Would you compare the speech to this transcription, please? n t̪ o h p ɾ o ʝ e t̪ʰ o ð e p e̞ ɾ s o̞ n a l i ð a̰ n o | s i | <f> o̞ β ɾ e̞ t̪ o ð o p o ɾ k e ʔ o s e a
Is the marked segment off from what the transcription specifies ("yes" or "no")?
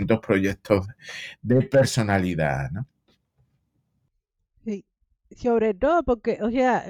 yes